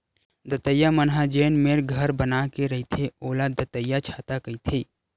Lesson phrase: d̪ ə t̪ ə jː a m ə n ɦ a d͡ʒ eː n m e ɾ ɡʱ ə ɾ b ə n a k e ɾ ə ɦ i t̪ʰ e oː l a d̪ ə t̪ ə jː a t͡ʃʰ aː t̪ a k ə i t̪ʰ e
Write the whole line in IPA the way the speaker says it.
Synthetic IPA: d̪ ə t̪ ə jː a m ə n ɦ a d͡ʒ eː n m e ɾ ɡʱ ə ɾ b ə n a k e ɾ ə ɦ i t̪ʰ e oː l a d̪ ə t̪ ə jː a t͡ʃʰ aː t̪ a k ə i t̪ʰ e